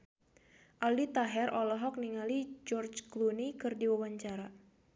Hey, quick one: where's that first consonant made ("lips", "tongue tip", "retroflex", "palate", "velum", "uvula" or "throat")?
throat